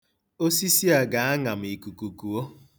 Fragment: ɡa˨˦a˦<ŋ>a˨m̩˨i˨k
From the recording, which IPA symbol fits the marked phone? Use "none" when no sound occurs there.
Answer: ŋ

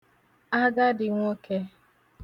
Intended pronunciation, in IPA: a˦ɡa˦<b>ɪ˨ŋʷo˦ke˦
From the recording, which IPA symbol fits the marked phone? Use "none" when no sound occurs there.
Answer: d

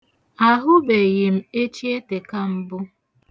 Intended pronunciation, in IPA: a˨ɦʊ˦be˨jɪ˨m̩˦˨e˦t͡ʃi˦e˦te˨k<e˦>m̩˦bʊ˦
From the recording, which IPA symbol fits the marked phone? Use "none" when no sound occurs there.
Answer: a˦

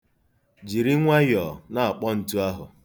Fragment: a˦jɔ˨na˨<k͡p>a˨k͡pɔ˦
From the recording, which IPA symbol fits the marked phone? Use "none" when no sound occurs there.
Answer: none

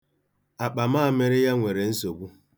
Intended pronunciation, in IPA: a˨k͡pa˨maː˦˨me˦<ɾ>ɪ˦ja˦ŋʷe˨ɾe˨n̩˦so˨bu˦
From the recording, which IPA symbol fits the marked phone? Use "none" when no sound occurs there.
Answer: ɾ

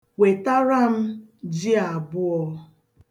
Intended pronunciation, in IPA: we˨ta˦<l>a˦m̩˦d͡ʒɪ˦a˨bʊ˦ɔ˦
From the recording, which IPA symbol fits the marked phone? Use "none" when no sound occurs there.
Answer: ɾ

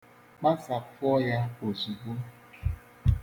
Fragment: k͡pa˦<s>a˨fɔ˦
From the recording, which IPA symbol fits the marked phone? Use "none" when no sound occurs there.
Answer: s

